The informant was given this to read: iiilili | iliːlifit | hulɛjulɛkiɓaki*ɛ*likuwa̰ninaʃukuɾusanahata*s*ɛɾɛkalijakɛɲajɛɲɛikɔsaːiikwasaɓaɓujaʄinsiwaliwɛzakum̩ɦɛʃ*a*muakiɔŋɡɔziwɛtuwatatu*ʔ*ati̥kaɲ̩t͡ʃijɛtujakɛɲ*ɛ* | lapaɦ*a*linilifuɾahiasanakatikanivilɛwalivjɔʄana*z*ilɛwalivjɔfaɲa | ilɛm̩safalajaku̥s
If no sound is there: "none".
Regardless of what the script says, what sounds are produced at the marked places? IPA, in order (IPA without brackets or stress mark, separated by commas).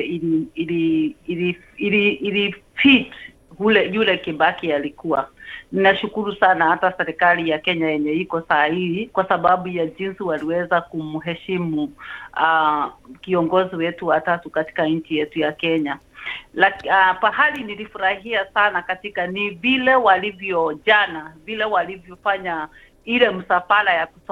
a, s, i, k, a, a, v